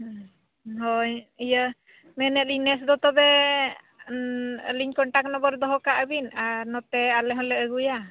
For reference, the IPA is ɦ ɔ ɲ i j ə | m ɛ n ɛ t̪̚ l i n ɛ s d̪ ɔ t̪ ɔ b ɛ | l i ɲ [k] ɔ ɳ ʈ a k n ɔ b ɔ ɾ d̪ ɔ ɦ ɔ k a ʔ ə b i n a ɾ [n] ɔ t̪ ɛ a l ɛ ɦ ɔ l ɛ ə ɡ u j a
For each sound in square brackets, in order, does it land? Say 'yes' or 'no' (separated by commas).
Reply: yes, yes